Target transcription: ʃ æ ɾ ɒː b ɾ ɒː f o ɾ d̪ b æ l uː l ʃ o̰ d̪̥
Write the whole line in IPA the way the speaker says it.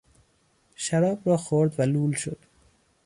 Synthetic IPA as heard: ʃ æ ɾ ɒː b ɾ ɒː x o ɾ d̪ v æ l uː l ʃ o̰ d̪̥